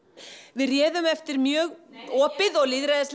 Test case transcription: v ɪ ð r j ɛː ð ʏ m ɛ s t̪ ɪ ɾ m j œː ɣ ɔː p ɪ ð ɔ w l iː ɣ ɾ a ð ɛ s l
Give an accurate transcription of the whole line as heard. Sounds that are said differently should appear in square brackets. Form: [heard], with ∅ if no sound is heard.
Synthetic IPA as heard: v ɪ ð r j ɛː ð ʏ m ɛ [f] t̪ ɪ ɾ m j œː ɣ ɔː p ɪ ð ɔ [ɣ] l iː [ð] ɾ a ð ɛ s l